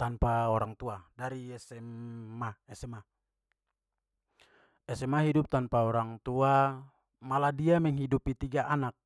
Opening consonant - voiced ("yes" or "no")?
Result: no